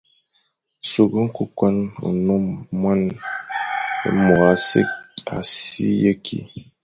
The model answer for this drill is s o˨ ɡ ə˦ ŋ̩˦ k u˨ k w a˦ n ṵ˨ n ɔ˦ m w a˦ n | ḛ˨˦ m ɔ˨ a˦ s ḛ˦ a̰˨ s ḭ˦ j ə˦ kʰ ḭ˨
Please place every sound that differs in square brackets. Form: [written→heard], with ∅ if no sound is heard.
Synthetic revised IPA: s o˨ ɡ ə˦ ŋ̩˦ k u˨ k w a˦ n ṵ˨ n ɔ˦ m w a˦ n | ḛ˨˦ m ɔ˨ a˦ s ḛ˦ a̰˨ s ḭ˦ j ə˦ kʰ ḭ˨